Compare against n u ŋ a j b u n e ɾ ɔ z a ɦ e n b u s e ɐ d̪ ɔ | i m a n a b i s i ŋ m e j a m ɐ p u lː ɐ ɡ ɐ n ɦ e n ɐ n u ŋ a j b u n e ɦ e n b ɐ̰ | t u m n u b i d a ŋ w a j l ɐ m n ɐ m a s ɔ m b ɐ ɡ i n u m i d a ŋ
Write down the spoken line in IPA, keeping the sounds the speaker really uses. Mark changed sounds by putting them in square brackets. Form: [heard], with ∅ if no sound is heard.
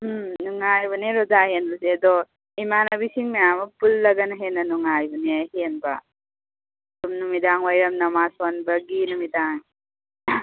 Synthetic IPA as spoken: n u ŋ a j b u n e ɾ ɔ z a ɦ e n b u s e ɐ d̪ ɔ | i m a n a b i s i ŋ m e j a m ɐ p u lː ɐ ɡ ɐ n ɦ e n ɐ n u ŋ a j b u n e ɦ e n b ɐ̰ | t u m n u [m] i d a ŋ w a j [ɾ] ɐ m n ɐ m a s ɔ [n] b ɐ ɡ i n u m i d a ŋ